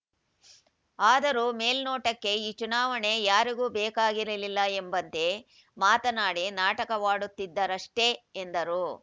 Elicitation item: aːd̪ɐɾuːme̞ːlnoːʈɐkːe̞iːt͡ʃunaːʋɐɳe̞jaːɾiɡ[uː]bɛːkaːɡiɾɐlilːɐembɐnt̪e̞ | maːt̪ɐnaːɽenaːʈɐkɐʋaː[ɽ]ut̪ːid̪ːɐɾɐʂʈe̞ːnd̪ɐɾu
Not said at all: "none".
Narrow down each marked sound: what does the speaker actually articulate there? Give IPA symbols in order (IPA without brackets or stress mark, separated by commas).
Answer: uː, ɽ